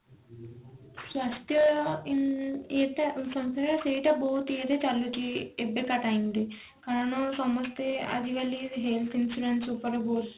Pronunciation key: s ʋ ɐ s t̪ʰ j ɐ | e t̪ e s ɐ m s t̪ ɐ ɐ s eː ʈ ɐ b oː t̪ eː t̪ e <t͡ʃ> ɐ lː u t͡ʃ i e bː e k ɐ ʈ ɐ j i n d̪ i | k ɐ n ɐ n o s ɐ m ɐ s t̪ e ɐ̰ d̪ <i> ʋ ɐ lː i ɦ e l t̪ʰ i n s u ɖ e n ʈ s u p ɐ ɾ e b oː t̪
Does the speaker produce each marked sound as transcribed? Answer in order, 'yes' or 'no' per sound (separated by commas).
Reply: yes, yes